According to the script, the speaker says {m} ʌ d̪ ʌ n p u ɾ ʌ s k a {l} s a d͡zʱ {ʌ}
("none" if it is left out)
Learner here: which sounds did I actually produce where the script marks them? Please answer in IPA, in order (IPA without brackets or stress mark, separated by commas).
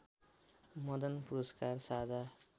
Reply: m, r, a